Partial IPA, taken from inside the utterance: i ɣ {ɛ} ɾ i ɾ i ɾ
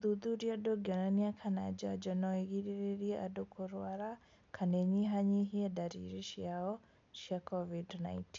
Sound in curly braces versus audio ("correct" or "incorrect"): incorrect